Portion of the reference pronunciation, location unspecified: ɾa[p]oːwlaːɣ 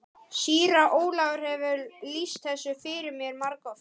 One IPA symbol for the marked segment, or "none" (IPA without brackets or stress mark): ʔ